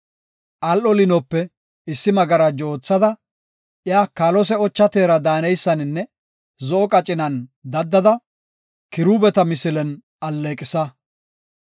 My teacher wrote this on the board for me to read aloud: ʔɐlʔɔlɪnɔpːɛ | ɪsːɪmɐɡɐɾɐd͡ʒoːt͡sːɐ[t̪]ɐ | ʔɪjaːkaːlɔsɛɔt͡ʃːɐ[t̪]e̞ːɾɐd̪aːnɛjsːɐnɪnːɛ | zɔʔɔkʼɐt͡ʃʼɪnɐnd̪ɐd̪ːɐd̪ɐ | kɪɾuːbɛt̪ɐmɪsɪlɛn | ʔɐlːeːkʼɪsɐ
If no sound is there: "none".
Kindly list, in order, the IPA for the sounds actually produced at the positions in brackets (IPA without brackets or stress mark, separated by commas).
d̪, t̪